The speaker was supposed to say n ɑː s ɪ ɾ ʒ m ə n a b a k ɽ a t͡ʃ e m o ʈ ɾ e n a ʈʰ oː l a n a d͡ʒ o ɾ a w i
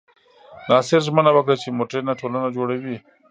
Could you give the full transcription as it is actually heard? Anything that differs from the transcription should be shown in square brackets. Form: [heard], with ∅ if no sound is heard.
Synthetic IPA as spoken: n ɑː s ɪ ɾ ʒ m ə n a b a k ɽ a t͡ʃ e m o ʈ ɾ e n a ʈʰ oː l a n a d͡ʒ o [ɽ] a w i

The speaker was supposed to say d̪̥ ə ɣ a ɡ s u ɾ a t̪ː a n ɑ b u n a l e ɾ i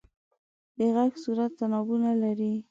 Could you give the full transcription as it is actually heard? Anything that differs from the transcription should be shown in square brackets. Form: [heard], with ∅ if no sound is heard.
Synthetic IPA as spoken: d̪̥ ə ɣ a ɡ s u ɾ a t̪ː a n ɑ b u n a l [a] ɾ i

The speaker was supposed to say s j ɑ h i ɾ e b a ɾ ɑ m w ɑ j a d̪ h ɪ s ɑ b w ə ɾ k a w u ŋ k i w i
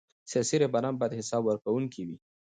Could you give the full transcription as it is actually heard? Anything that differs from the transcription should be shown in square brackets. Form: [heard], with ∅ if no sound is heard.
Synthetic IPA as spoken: s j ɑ [s] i ɾ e b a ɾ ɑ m [b] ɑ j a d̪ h ɪ s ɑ b w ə ɾ k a w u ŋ k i w i

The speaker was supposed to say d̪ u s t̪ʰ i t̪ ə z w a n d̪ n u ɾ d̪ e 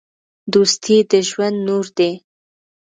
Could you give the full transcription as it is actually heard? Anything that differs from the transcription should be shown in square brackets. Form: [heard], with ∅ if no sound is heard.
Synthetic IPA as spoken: d̪ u s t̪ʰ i [d̪] ə [ʒ] w a n d̪ n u ɾ d̪ e

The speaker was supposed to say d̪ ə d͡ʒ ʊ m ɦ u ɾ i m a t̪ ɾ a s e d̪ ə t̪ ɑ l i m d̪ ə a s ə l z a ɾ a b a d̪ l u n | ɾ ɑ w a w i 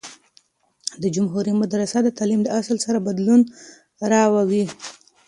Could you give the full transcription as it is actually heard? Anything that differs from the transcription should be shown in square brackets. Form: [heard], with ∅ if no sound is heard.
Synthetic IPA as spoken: d̪ ə d͡ʒ ʊ m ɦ u ɾ i m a [d̪] ɾ a s [a] d̪ ə t̪ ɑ l i m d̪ ə a s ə l [s] a ɾ a b a d̪ l u n | ɾ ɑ w a w i

